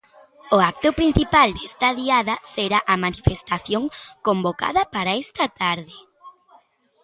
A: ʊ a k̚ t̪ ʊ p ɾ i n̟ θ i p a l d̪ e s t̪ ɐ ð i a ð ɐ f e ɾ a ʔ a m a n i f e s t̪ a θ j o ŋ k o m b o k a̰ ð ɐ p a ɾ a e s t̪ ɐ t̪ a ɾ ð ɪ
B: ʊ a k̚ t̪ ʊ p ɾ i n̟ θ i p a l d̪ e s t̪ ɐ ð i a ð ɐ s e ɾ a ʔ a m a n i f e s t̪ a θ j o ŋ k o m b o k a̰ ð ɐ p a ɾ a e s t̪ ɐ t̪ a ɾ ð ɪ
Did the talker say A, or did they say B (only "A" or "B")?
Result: B